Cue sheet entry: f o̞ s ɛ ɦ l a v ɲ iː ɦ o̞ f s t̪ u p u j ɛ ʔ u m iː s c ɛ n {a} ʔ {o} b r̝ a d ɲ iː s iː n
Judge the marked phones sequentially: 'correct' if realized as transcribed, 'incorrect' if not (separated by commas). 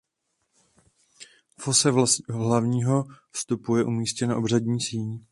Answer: correct, correct